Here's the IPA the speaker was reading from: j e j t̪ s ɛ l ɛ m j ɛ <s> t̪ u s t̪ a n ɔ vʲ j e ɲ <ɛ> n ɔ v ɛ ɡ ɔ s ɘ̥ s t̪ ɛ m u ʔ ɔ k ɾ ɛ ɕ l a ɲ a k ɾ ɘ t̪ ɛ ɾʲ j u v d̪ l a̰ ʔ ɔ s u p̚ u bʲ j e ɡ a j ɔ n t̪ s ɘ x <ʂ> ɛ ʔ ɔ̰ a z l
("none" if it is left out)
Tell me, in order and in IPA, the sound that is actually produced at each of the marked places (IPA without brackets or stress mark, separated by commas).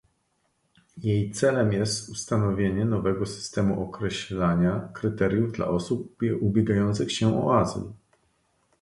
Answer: s, ɛ, ɕ